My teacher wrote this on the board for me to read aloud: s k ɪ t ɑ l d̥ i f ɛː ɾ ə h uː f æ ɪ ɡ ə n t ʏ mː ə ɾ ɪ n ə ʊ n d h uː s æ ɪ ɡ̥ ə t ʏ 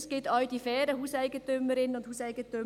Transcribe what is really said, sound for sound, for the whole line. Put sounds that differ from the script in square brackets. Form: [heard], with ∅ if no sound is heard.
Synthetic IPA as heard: s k ɪ t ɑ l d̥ i f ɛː ɾ ə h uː [s] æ ɪ ɡ ə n t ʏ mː ə ɾ ɪ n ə ʊ n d h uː s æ ɪ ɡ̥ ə t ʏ